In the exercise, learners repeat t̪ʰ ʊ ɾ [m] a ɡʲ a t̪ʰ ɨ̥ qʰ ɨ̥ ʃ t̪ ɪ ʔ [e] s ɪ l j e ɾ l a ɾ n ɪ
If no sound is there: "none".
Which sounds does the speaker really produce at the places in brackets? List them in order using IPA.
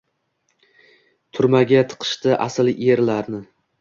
m, a

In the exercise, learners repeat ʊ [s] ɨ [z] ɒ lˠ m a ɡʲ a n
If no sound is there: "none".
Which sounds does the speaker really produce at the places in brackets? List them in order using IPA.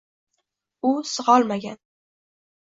s, ʁ

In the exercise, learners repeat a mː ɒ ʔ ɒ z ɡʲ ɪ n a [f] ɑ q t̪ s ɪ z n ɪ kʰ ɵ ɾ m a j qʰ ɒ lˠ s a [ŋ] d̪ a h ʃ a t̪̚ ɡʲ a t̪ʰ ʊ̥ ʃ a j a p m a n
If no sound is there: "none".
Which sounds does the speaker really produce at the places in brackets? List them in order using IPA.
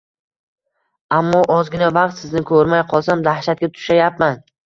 v, m

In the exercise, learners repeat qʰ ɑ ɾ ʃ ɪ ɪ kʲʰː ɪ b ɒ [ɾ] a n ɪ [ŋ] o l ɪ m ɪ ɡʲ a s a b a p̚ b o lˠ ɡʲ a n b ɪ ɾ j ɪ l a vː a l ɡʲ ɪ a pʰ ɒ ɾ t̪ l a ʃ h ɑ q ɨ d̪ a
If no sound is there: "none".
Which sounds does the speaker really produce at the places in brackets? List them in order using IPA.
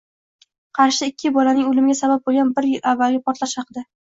l, ŋ

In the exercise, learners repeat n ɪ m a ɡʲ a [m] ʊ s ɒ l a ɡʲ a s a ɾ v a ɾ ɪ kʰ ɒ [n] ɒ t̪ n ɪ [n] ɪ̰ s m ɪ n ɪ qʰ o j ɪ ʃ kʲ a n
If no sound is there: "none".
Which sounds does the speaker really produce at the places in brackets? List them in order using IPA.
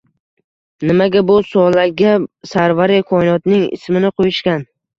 b, n, ŋ

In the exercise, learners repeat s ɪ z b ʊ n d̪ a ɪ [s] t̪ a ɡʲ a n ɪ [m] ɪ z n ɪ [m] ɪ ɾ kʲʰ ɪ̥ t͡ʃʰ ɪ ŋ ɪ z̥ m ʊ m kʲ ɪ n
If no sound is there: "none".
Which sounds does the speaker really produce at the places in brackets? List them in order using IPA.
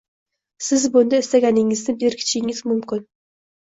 s, ŋ, b

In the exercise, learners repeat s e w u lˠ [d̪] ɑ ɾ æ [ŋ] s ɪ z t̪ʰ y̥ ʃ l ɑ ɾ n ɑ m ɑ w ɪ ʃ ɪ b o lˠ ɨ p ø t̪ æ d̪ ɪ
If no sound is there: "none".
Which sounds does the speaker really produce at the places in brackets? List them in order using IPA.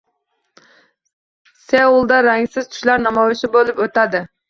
d̪, ŋ

